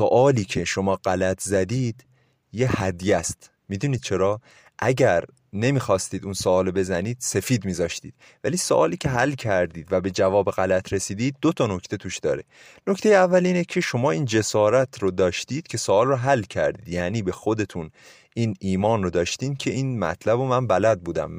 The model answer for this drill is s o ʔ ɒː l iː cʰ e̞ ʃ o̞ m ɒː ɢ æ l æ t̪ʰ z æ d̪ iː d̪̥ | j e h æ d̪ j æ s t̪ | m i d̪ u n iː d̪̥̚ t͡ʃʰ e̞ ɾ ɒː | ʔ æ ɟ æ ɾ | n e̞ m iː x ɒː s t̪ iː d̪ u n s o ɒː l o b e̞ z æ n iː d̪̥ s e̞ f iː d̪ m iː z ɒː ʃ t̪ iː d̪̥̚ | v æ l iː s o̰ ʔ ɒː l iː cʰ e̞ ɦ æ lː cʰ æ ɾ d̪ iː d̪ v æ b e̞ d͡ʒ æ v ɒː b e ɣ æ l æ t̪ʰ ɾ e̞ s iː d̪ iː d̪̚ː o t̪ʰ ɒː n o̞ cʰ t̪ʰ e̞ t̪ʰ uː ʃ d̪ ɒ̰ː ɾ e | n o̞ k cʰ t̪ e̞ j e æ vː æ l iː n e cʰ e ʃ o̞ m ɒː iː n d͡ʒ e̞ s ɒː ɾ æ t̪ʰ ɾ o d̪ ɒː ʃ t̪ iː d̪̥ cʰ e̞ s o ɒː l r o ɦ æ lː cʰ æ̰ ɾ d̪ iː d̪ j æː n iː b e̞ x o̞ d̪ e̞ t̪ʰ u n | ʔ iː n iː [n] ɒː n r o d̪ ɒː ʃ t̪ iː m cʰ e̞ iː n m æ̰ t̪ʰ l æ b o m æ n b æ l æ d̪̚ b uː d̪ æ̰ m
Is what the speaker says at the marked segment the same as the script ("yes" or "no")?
no